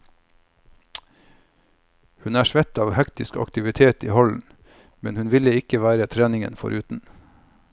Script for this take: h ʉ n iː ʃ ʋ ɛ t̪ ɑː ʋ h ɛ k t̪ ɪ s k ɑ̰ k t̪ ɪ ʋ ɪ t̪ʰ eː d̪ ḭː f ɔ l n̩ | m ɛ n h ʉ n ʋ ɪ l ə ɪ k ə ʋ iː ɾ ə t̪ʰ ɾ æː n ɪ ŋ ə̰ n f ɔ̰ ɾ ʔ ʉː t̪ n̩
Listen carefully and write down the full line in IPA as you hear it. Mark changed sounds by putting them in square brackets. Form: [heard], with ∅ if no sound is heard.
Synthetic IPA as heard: h ʉ n [æː] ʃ ʋ ɛ t̪ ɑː ʋ h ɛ k t̪ ɪ s k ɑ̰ k t̪ ɪ ʋ ɪ t̪ʰ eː [t̪] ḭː [h] ɔ l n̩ | m ɛ n h ʉ n ʋ ɪ l ə ɪ k ə ʋ [æː] ɾ ə t̪ʰ ɾ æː n ɪ ŋ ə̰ n f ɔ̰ ɾ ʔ ʉː t̪ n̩